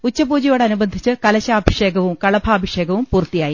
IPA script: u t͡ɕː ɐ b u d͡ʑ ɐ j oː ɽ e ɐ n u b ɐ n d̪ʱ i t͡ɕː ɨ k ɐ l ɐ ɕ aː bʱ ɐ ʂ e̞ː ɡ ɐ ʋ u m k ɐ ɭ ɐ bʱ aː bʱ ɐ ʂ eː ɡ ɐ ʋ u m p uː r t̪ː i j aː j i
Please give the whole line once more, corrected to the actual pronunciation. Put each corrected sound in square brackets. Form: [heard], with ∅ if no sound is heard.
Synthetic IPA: u t͡ɕː ɐ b [uː] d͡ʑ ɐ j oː ɽ e ɐ n u b ɐ n d̪ʱ i t͡ɕː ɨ k ɐ l ɐ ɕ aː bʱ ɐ ʂ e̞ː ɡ ɐ ʋ u m k ɐ ɭ ɐ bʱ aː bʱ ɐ ʂ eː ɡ ɐ ʋ u m p uː r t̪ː i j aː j i